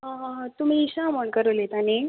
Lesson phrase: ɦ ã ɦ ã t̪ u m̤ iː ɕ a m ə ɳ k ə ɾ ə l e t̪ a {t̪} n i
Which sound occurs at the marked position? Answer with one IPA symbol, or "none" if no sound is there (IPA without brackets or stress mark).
none